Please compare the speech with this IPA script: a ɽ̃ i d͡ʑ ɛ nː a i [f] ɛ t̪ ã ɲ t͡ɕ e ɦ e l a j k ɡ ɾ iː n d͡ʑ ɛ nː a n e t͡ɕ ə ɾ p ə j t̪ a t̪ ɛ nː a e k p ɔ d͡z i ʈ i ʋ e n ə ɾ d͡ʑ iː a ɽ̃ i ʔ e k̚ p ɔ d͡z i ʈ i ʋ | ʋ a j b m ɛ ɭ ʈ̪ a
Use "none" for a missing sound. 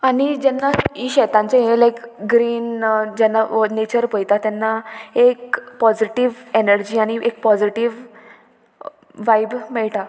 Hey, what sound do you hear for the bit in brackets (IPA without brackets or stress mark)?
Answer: ɕ